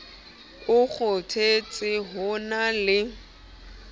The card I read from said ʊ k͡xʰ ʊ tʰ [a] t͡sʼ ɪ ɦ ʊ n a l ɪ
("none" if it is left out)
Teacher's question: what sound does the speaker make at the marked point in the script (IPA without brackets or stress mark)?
e